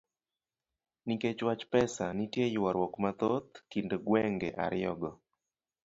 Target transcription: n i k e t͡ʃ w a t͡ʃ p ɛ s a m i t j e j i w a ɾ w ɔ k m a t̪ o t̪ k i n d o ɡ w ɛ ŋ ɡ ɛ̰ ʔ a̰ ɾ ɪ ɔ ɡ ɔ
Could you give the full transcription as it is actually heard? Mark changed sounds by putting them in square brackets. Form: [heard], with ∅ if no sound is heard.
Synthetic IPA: n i k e t͡ʃ w a t͡ʃ p ɛ s a [n] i t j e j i w a ɾ w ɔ k m a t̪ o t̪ k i n d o ɡ w ɛ ŋ ɡ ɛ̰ ʔ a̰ ɾ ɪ ɔ ɡ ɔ